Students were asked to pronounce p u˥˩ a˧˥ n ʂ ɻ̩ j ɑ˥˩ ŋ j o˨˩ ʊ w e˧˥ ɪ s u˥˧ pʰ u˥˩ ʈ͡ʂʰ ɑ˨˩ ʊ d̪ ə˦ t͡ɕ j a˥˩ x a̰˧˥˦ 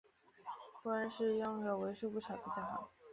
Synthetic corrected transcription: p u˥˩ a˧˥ n ʂ ɻ̩ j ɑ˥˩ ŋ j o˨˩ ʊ w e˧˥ ɪ ʂ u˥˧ p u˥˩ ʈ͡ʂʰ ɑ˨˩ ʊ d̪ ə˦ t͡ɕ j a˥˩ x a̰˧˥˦